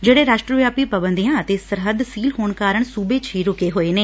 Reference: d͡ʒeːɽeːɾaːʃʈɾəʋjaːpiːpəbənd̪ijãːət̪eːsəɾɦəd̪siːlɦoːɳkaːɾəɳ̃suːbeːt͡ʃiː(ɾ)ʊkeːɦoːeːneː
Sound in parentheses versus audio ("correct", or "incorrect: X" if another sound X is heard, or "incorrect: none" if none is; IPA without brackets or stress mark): correct